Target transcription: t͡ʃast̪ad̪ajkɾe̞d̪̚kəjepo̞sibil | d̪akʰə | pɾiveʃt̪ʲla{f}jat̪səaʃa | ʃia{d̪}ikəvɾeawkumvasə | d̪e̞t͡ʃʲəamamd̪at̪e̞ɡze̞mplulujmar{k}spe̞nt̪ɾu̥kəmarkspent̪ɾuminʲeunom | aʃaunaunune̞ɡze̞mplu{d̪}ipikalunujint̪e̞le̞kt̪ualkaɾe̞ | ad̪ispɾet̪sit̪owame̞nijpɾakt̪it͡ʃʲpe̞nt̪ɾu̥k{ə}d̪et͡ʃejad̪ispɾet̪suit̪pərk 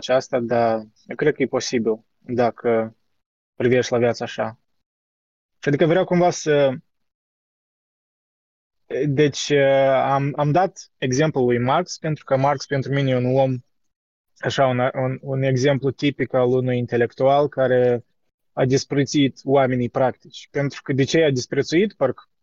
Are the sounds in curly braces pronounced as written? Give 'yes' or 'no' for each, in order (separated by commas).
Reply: no, yes, yes, no, yes